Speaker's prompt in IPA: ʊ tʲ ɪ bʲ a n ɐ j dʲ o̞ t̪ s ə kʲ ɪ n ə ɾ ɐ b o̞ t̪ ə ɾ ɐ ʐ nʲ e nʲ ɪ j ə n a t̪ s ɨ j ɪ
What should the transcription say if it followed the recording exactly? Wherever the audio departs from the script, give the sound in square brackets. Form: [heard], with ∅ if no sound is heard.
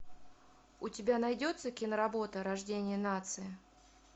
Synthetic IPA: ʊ tʲ ɪ bʲ a n ɐ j dʲ o̞ t̪ s ə kʲ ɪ n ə ɾ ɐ b o̞ t̪ ə ɾ ɐ ʐ [dʲ] e nʲ ɪ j ə n a t̪ s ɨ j ɪ